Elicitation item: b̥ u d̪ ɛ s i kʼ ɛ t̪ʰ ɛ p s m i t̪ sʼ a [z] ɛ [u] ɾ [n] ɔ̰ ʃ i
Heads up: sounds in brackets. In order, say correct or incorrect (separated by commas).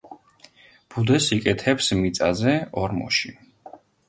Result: correct, incorrect, incorrect